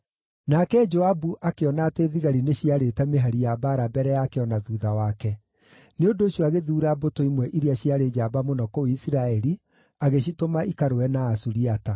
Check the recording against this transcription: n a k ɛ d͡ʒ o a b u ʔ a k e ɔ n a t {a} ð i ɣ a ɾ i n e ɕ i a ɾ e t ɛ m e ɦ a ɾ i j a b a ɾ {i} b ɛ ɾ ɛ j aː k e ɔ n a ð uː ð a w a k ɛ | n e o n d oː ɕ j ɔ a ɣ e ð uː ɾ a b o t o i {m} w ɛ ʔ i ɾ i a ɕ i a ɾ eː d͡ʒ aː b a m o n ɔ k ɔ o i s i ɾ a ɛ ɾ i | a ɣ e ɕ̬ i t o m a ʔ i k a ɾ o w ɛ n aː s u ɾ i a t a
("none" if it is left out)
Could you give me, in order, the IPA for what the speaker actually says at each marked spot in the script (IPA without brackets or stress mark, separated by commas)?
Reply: e, a, m